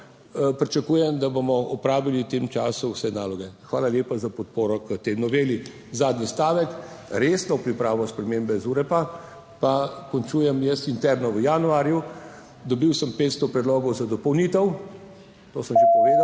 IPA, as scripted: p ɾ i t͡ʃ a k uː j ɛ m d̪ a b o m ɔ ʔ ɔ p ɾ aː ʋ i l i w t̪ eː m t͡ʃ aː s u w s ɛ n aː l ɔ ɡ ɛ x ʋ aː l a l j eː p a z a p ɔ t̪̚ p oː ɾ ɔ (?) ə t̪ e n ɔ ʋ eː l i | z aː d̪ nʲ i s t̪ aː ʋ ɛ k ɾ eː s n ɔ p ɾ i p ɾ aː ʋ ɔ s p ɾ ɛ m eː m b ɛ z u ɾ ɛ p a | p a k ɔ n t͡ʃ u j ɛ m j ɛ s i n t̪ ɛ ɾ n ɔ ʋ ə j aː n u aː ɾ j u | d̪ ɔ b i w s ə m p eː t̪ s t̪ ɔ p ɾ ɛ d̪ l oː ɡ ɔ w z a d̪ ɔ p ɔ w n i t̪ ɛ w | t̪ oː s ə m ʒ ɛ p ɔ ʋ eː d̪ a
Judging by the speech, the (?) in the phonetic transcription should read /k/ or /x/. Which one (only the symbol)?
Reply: k